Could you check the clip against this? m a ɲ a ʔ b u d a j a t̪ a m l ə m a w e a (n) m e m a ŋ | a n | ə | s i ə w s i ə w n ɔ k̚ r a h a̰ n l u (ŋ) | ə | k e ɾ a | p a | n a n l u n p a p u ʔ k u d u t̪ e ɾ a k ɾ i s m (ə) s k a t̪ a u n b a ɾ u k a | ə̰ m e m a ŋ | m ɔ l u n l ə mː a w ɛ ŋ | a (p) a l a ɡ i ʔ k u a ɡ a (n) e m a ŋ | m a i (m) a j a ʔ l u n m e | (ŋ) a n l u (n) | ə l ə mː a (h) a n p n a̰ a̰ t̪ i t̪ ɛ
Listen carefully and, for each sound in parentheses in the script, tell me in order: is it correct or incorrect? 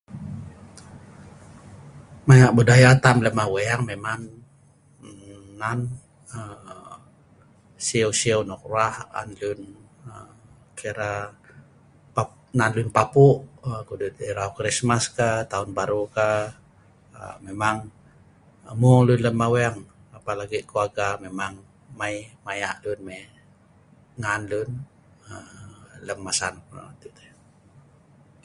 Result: incorrect, incorrect, incorrect, correct, incorrect, correct, correct, correct, incorrect

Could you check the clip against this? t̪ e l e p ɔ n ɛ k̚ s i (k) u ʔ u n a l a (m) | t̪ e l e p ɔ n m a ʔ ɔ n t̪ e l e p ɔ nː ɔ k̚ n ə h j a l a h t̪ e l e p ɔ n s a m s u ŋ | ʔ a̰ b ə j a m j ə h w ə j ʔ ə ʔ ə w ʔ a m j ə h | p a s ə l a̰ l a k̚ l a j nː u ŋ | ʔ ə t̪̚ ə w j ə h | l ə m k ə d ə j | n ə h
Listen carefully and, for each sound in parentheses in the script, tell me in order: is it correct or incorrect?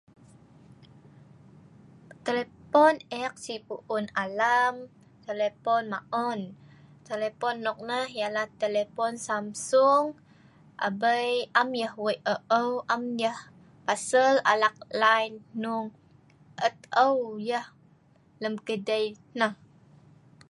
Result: incorrect, correct

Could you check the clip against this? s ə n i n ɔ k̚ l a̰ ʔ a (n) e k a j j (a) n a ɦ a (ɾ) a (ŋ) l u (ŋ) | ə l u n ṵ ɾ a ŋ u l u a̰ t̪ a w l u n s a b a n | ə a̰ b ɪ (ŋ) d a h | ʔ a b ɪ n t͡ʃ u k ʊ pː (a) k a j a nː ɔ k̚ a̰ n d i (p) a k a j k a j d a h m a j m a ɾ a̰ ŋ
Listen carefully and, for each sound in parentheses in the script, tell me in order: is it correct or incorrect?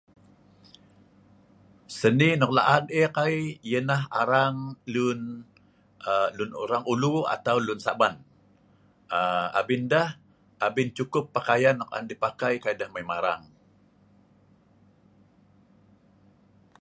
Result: correct, incorrect, correct, correct, incorrect, incorrect, correct, correct

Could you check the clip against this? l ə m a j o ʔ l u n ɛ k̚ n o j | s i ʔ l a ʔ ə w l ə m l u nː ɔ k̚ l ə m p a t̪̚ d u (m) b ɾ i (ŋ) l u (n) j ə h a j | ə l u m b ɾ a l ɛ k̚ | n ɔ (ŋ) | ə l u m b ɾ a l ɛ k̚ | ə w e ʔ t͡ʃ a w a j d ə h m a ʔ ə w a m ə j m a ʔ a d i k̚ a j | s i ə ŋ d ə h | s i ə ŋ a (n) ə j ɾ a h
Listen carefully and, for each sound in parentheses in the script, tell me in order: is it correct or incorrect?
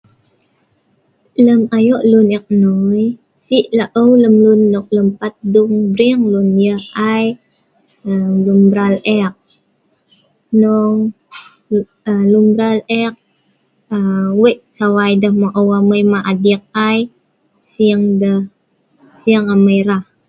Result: incorrect, correct, correct, correct, incorrect

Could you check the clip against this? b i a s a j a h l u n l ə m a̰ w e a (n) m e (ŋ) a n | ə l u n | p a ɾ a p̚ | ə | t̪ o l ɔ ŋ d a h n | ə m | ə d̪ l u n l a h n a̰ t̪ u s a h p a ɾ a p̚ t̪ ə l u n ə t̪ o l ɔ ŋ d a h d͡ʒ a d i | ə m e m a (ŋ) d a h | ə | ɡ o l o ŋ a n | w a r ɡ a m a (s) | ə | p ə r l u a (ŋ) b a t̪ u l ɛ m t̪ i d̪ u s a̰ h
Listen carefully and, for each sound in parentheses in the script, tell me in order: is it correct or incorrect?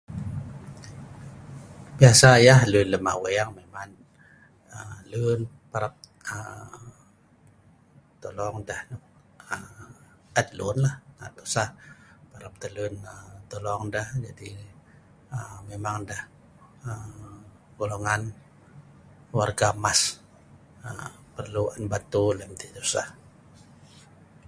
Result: incorrect, incorrect, correct, correct, incorrect

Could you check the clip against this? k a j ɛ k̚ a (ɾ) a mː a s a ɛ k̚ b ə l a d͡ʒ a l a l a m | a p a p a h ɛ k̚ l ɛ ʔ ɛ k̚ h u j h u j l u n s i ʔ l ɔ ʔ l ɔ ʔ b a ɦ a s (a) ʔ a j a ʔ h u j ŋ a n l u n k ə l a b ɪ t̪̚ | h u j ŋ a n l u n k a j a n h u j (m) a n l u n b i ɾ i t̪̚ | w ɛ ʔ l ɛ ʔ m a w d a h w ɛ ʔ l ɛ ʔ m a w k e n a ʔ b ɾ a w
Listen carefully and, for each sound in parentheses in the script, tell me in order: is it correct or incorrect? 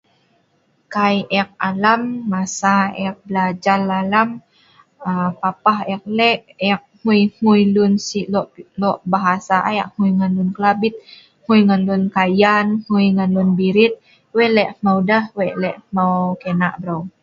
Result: incorrect, correct, incorrect

